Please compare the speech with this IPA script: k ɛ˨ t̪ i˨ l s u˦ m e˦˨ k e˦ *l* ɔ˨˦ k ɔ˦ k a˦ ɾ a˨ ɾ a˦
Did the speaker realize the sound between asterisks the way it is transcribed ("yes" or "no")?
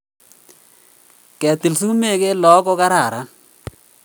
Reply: yes